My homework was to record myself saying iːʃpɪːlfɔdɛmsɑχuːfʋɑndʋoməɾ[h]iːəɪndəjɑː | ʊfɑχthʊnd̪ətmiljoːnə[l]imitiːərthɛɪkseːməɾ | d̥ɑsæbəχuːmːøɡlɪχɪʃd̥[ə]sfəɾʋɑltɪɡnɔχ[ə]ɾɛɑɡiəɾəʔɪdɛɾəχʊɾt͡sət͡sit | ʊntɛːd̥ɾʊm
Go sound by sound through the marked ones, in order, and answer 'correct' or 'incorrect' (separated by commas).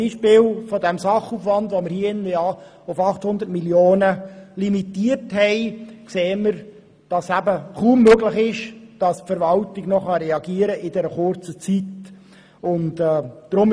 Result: correct, correct, incorrect, incorrect